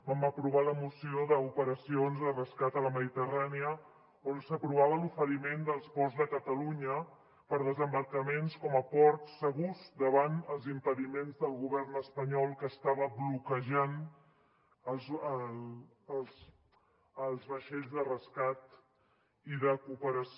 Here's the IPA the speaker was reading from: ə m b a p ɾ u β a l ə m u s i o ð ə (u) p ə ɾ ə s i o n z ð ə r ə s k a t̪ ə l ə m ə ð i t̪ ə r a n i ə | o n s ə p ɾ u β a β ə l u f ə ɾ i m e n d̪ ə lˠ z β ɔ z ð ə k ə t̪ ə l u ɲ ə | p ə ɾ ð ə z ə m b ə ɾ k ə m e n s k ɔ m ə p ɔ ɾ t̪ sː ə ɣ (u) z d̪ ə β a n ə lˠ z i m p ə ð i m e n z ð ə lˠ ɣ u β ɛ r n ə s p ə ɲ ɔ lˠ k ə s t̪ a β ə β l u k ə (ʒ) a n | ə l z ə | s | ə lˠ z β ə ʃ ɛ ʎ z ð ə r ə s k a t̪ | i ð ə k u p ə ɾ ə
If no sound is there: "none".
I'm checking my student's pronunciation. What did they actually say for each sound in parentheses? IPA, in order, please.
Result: u, u, ʒ

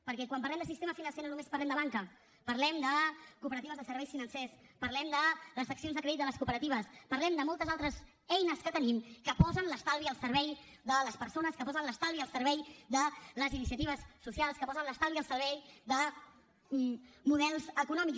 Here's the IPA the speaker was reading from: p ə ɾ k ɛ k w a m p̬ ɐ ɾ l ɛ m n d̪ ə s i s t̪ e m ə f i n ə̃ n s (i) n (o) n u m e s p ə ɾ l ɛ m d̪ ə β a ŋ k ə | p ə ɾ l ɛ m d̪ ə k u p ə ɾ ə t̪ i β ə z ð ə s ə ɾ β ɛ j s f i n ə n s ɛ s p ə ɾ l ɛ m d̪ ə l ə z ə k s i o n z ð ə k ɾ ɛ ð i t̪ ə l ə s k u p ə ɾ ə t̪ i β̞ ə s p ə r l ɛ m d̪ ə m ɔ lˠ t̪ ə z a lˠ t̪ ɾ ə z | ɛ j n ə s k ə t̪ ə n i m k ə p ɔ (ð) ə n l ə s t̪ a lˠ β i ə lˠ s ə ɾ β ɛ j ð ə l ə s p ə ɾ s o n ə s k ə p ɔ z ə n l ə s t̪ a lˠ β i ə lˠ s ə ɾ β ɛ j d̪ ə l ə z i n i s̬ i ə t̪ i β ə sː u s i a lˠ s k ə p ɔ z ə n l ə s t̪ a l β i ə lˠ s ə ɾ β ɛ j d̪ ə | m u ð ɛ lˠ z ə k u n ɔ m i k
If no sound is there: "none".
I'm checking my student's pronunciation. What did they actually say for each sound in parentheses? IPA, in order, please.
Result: e, o, z

